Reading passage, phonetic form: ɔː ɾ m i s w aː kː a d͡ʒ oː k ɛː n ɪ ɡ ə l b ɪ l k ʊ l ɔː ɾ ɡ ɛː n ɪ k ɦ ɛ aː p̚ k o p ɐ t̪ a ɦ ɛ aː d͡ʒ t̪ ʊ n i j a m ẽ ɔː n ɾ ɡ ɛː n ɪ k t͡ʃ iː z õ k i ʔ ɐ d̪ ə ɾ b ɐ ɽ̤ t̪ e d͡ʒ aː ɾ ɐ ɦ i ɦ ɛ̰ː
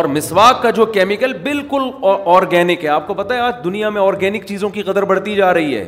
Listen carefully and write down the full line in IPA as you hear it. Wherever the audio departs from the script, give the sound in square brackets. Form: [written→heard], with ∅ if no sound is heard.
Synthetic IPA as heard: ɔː ɾ m [i→ɪ] s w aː kː a d͡ʒ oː k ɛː [n→m] ɪ [ɡ→k] ə l b ɪ l k ʊ l ɔː ɾ ɡ ɛː n ɪ k ɦ ɛ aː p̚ k o p ɐ t̪ a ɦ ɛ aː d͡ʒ [t̪→d̪] ʊ n i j a m ẽ ɔː [n→∅] ɾ ɡ ɛː n ɪ k t͡ʃ iː z õ k i [ʔ→q] ɐ d̪ ə ɾ b ɐ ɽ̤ t̪ [e→i] d͡ʒ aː ɾ ɐ ɦ i ɦ ɛ̰ː